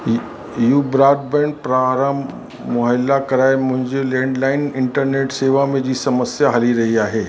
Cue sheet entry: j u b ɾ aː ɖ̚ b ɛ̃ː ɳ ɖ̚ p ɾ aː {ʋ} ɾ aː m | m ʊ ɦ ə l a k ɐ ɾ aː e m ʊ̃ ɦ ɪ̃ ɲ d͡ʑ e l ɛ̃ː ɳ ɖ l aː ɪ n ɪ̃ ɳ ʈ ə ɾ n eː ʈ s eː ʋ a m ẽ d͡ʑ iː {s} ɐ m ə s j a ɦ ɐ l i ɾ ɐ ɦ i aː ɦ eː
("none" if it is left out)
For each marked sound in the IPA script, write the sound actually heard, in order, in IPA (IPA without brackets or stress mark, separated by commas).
none, s